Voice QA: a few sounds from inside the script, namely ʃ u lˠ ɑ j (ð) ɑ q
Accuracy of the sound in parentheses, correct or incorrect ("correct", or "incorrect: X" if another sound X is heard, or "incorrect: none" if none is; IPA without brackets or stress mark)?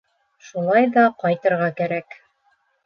correct